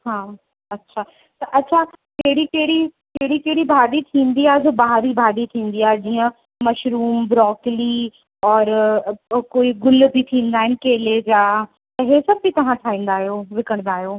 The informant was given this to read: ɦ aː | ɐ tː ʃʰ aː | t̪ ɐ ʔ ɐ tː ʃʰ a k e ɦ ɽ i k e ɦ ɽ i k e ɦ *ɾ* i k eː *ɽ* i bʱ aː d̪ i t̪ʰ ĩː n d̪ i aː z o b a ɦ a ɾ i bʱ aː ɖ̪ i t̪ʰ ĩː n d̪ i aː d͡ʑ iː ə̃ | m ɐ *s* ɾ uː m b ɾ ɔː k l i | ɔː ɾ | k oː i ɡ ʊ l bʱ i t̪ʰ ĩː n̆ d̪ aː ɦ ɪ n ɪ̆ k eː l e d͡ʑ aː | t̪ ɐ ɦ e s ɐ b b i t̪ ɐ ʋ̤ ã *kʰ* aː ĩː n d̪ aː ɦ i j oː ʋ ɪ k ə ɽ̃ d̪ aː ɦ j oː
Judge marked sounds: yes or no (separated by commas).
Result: no, yes, no, no